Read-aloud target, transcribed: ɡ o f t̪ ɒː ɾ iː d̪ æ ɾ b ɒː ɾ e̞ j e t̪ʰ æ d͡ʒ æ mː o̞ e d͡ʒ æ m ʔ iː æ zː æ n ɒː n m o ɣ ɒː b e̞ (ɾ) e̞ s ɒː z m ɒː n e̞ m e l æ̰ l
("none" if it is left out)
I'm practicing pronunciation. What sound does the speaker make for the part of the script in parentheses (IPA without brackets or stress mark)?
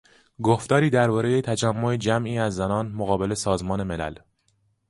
l